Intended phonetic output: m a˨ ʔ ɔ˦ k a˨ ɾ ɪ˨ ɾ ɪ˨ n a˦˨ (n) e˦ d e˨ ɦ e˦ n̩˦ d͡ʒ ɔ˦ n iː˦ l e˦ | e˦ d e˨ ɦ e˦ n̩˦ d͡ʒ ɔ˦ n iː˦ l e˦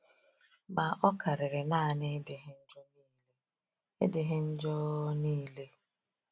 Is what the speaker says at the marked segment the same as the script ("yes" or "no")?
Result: yes